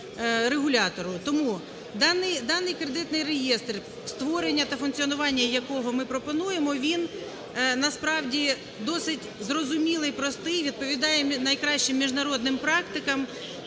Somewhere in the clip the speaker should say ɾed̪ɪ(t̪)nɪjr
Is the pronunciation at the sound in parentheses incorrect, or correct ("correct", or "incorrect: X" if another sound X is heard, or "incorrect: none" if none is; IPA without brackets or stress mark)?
correct